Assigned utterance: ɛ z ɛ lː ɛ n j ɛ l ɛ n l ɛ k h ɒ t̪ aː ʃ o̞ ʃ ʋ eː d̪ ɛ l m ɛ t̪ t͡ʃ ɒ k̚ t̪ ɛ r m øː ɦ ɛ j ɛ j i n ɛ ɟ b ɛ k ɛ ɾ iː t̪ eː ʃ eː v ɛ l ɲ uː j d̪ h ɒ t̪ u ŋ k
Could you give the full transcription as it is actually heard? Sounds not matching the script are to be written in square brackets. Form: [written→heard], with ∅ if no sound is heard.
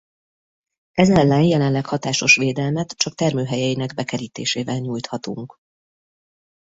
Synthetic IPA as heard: ɛ z ɛ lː ɛ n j ɛ l ɛ n l ɛ k h ɒ t̪ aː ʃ o̞ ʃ ʋ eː d̪ ɛ l m ɛ t̪ t͡ʃ ɒ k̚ t̪ ɛ r m øː ɦ ɛ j ɛ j i n ɛ [ɟ→ɡ] b ɛ k ɛ ɾ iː t̪ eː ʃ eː v ɛ l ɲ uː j [d̪→t̪] h ɒ t̪ u ŋ k

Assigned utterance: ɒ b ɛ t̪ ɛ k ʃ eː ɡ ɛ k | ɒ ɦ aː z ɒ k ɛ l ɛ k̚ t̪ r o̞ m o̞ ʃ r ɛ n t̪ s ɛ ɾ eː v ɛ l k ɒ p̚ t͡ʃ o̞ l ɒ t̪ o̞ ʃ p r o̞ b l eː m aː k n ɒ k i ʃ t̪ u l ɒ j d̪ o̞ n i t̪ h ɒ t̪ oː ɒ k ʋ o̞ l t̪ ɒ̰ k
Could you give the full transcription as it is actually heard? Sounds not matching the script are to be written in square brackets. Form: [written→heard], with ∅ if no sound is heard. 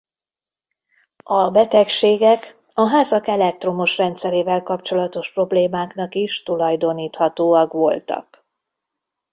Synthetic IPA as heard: ɒ b ɛ t̪ ɛ k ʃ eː ɡ ɛ k | ɒ ɦ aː z ɒ k ɛ l ɛ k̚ t̪ r o̞ m o̞ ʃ r ɛ n t̪ s ɛ ɾ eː v ɛ l k ɒ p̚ t͡ʃ o̞ l ɒ t̪ o̞ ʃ p r o̞ b l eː m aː k n ɒ k i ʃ t̪ u l ɒ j d̪ o̞ n [i→iː] t̪ h ɒ t̪ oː ɒ k ʋ o̞ l t̪ ɒ̰ k

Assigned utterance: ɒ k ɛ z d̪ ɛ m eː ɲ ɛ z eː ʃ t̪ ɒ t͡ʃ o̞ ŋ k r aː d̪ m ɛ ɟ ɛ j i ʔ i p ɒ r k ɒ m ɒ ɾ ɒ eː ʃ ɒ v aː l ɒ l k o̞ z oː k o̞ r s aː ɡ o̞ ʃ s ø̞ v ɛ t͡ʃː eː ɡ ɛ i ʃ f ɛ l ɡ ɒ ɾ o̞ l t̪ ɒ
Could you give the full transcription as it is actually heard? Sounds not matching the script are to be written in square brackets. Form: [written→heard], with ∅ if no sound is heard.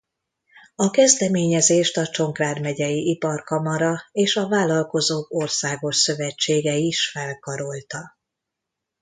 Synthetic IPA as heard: ɒ k ɛ z d̪ ɛ m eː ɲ ɛ z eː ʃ t̪ ɒ t͡ʃ o̞ ŋ k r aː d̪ m ɛ ɟ ɛ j i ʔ i p ɒ r k ɒ m ɒ ɾ ɒ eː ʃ ɒ v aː l ɒ l k o̞ z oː k o̞ r s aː ɡ o̞ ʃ s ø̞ v ɛ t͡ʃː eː ɡ ɛ i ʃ f ɛ l [ɡ→k] ɒ ɾ o̞ l t̪ ɒ

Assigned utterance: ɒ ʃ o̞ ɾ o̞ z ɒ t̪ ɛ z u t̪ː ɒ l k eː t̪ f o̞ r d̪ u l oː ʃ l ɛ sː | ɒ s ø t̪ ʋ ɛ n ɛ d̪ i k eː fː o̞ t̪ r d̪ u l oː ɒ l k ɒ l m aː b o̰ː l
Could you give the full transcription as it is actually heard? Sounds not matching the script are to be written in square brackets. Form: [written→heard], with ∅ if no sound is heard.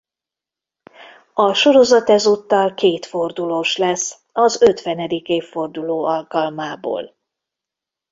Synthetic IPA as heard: ɒ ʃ o̞ ɾ o̞ z ɒ t̪ ɛ z u t̪ː ɒ l k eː t̪ f o̞ r d̪ u l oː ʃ l ɛ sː | ɒ [s→z] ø t̪ ʋ ɛ n ɛ d̪ i k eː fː o̞ [t̪→∅] r d̪ u l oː ɒ l k ɒ l m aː b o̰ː l

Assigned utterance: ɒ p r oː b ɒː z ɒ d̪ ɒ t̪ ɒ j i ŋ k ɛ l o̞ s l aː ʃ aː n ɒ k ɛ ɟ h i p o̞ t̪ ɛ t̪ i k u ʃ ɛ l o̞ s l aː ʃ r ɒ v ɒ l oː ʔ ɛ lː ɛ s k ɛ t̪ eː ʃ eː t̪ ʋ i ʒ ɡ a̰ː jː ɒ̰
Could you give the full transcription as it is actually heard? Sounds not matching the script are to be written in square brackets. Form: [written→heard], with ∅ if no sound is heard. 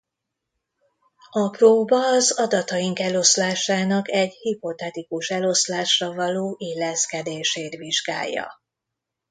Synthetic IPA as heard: ɒ p r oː b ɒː z ɒ d̪ ɒ t̪ ɒ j i ŋ k ɛ l o̞ s l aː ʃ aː n ɒ k ɛ ɟ h i p o̞ t̪ ɛ t̪ i k u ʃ ɛ l o̞ s l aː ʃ r ɒ v ɒ l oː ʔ [ɛ→i] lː ɛ s k ɛ [t̪→d̪] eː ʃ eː t̪ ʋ i ʒ ɡ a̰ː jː ɒ̰

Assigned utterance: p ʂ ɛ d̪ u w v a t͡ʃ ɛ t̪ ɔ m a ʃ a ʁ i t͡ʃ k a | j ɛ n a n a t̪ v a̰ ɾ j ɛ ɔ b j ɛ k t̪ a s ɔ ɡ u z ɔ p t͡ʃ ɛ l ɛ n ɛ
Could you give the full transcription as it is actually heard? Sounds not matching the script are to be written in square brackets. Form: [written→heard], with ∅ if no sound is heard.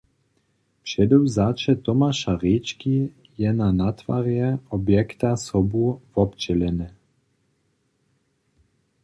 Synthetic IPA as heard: p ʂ ɛ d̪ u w [v→z] a t͡ʃ ɛ t̪ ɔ m a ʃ a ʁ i t͡ʃ k [a→i] | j ɛ n a n a t̪ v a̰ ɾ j ɛ ɔ b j ɛ k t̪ a s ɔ [ɡ→b] u [z→v] ɔ p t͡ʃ ɛ l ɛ n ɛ

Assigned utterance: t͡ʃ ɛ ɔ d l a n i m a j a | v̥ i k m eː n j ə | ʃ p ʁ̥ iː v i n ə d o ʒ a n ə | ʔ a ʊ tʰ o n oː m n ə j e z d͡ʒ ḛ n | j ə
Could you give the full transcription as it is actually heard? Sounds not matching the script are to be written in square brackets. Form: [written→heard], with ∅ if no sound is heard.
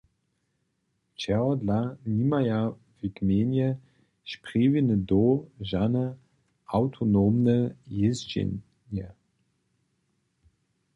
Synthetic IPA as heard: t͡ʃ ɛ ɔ d l a n i m a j a | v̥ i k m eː n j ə | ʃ p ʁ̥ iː v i n ə d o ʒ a n ə | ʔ a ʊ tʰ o n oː m n ə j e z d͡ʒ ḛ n | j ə

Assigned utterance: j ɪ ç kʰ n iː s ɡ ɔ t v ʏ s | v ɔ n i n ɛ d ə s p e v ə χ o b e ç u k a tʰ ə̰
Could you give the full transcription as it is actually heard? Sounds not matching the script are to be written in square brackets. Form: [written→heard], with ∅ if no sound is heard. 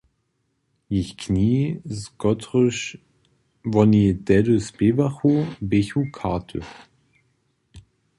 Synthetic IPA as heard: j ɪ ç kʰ n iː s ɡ ɔ t [v→ʁ] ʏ [s→ʃ] | v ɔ n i [n→d] ɛ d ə s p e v [ə→a] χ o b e ç u [k→kʰ] a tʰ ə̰

